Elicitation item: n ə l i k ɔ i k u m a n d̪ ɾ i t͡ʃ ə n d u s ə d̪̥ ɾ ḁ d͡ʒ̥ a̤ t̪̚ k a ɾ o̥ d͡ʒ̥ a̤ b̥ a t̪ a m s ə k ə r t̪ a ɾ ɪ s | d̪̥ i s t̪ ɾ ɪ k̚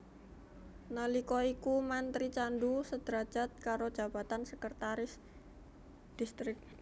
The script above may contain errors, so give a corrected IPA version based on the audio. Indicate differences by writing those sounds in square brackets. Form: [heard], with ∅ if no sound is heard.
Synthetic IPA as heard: n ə l i k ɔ i k u m a n [t̪] ɾ i t͡ʃ [a] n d u s ə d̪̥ ɾ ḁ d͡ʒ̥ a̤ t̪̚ k a ɾ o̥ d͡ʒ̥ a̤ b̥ a t̪ a [n] s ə k ə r t̪ a ɾ ɪ s | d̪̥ i s t̪ ɾ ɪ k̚